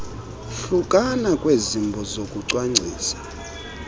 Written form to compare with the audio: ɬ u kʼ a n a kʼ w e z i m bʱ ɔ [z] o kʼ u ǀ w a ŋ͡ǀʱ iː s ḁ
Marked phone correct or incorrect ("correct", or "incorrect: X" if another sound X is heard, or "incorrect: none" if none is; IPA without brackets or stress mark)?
correct